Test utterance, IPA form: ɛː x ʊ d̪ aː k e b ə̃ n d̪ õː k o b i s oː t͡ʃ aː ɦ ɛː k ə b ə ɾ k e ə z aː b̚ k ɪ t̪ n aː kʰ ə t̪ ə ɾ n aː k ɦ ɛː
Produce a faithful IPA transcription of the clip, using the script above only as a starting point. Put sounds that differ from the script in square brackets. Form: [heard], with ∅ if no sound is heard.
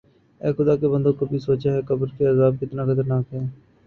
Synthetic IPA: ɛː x ʊ d̪ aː k e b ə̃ n d̪ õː k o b i s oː t͡ʃ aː ɦ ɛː k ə b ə ɾ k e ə z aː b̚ k ɪ t̪ n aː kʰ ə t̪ ə ɾ n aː k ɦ ɛː